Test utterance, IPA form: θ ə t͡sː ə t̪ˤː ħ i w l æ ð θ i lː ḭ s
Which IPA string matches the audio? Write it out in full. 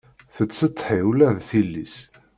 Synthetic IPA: θ ə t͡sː ə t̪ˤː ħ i w l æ ð θ i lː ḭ s